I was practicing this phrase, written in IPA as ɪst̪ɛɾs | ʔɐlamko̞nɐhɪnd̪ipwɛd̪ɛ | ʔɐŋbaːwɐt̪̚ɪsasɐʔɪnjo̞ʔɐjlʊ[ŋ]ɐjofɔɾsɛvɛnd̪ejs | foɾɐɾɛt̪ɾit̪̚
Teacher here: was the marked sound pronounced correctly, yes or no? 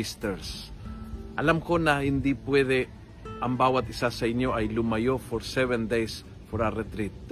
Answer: no